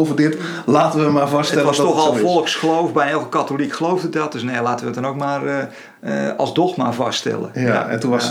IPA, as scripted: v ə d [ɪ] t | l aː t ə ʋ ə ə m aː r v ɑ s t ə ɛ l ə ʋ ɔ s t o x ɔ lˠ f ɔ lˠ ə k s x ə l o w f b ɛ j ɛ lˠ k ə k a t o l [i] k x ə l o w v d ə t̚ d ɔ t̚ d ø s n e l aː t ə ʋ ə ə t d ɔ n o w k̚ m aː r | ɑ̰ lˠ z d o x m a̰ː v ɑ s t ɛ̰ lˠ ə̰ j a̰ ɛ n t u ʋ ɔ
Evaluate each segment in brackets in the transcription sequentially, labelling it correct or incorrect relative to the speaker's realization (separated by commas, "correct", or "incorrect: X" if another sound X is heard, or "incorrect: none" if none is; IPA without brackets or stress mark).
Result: correct, correct